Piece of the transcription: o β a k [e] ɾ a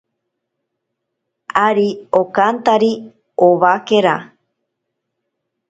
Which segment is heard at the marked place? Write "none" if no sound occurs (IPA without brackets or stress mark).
e